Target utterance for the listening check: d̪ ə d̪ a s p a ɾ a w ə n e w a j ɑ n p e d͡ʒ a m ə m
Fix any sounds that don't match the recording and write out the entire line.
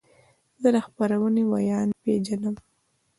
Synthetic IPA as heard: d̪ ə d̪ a x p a ɾ a w ə n e w a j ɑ n p e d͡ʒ a n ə m